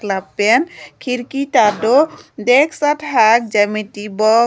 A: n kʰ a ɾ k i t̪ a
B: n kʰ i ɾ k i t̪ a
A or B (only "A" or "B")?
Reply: B